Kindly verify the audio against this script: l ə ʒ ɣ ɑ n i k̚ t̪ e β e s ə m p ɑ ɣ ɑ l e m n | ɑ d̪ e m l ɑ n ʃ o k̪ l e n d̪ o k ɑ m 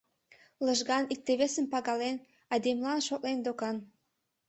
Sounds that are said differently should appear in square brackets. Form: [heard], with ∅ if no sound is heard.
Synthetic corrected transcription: l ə ʒ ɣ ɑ n i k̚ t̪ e β e s ə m p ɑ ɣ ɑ l e [∅] n | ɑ d̪ e m l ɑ n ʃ o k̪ l e n d̪ o k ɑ [n]